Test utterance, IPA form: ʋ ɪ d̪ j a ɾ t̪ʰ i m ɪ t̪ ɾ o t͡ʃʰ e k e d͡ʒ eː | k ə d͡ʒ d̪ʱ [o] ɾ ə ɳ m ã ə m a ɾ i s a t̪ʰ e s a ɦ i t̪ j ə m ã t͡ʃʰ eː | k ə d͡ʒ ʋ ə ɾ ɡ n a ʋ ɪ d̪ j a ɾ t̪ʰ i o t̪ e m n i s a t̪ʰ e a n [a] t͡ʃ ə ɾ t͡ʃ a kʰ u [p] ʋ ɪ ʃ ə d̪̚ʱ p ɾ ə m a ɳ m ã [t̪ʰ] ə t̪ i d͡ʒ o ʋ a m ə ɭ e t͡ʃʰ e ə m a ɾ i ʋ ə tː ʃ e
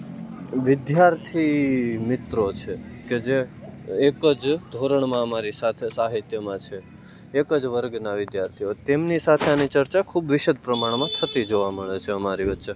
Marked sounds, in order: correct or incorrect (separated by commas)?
correct, incorrect, incorrect, correct